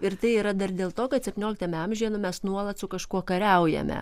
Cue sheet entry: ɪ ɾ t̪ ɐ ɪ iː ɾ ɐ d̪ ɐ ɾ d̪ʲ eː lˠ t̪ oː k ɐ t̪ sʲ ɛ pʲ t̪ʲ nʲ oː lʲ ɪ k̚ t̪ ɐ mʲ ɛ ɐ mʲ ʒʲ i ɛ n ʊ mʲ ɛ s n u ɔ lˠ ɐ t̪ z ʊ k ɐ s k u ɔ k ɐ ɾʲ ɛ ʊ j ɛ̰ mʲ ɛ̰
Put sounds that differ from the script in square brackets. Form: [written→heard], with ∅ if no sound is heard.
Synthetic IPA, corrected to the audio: ɪ ɾ t̪ ɐ ɪ iː ɾ ɐ d̪ ɐ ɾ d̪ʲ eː lˠ t̪ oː k ɐ t̪ sʲ ɛ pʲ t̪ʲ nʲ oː lʲ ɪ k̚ t̪ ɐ mʲ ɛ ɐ mʲ ʒʲ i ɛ n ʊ mʲ ɛ s n u ɔ lˠ ɐ t̪ [z→s] ʊ k ɐ [s→ʃ] k u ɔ k ɐ ɾʲ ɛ ʊ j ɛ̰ mʲ ɛ̰